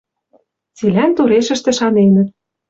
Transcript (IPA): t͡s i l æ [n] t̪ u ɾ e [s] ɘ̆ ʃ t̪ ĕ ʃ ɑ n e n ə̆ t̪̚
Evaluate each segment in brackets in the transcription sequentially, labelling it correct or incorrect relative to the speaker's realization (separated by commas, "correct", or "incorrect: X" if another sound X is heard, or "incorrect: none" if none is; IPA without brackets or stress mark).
correct, incorrect: ʃ